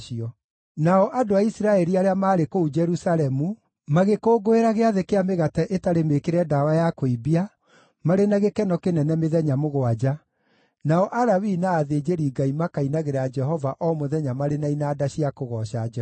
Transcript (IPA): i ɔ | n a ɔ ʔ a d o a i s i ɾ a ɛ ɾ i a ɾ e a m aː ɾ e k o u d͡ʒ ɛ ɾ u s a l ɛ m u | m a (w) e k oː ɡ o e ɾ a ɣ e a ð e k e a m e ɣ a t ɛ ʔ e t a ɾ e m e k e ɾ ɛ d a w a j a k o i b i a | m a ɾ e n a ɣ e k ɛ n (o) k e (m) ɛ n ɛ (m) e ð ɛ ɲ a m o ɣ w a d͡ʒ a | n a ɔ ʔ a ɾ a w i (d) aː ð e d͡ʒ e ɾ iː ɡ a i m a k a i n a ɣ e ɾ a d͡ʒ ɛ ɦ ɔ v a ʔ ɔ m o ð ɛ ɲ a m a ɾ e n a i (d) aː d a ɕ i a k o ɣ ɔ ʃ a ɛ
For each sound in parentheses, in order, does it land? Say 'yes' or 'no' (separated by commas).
no, no, no, yes, no, no